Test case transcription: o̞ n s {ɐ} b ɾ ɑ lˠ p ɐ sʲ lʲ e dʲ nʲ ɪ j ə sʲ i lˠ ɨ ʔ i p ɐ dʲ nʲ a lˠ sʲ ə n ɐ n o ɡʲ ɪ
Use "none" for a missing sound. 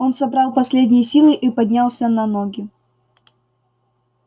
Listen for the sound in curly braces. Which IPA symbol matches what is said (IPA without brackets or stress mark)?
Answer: ɐ